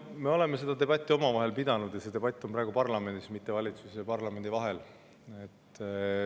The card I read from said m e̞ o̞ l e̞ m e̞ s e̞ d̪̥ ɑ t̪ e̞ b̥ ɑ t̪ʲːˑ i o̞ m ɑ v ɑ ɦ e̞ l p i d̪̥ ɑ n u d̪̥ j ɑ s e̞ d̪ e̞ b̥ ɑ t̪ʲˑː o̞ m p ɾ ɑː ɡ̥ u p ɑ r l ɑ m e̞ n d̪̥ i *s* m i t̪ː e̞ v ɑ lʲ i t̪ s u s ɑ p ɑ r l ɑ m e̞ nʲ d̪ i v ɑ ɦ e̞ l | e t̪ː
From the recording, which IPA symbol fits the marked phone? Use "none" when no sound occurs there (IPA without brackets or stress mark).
s